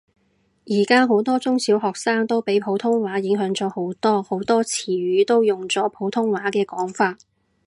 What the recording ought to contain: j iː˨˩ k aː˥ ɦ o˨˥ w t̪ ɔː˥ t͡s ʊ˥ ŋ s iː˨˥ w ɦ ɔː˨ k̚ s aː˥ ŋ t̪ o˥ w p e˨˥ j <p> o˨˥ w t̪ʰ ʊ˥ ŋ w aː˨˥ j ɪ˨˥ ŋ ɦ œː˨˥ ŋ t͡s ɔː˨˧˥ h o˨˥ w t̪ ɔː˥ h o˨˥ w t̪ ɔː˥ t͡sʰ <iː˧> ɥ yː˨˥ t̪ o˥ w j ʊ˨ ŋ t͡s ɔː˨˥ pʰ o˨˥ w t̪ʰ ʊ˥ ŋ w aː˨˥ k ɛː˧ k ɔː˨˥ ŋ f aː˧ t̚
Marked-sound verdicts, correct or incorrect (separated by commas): incorrect, incorrect